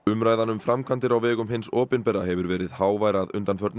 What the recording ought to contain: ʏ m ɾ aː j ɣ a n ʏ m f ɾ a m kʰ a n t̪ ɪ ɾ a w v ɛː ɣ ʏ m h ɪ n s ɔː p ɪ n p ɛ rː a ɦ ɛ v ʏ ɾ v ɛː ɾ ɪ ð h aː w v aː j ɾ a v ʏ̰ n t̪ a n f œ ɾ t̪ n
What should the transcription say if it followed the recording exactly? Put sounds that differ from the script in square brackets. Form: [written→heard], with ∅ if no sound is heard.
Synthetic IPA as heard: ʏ m ɾ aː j [ɣ→ð] a n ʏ m f ɾ a m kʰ a n t̪ ɪ ɾ a w v ɛː ɣ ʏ m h ɪ n s ɔː p ɪ n p ɛ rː a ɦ ɛ v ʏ ɾ v ɛː ɾ ɪ ð h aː w v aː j ɾ a [v→ð] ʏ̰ n t̪ a n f œ ɾ t̪ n